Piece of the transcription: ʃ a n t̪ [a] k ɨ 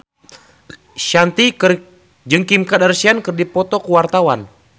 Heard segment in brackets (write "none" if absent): i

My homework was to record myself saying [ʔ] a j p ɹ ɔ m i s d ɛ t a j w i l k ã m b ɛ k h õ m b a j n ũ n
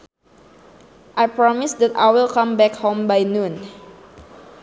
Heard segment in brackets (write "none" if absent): ʔ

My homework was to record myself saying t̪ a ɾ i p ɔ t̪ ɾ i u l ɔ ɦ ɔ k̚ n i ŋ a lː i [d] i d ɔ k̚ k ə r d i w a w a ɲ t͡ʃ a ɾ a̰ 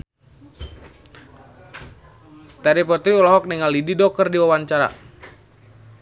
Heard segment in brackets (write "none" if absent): d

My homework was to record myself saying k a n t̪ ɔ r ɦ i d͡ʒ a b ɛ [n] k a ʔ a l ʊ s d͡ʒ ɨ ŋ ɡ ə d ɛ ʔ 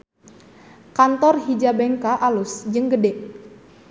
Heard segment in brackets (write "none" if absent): ŋ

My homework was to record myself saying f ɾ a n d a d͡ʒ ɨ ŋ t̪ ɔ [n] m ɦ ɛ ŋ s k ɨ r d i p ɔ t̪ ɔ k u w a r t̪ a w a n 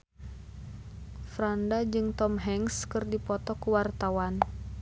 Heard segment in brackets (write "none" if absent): none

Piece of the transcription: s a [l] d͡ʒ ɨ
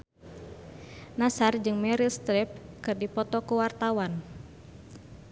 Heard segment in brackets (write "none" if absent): r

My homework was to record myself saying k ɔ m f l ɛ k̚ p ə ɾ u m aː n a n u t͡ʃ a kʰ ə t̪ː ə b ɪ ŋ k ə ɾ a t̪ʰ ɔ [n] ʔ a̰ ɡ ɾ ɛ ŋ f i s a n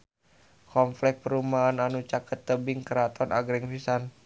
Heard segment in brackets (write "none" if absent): n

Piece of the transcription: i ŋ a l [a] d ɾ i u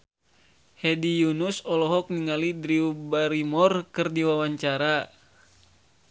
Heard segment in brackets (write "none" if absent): i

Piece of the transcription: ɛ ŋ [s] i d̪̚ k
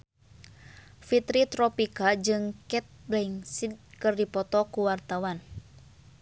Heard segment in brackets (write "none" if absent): s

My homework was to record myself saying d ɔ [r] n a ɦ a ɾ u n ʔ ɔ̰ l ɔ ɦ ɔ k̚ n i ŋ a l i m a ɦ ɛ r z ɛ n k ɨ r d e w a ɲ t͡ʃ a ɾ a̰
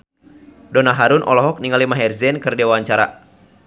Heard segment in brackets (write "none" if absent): none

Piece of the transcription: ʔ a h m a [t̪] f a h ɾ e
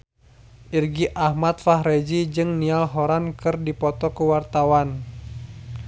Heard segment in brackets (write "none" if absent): t̪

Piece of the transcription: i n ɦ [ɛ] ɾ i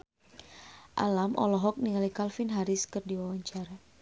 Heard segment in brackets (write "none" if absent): a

